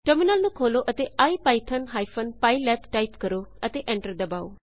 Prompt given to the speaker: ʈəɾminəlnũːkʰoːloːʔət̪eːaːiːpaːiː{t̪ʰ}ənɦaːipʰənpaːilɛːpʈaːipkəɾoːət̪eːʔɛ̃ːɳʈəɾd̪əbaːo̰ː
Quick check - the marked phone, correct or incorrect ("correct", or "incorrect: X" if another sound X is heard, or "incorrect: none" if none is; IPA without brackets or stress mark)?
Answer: correct